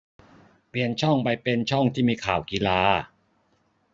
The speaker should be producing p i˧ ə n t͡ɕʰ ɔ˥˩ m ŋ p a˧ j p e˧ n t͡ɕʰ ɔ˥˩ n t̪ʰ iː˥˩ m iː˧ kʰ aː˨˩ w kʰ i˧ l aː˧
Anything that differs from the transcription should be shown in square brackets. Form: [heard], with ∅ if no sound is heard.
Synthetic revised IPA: p i˧ ə n t͡ɕʰ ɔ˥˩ [∅] ŋ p a˧ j p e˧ n t͡ɕʰ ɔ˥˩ [ŋ] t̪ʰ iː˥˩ m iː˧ kʰ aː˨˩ w [k] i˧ l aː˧